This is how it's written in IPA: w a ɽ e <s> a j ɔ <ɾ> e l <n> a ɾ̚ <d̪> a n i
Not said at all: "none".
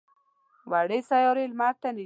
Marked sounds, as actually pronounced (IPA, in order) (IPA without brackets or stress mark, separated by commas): s, ɾ, m, t̪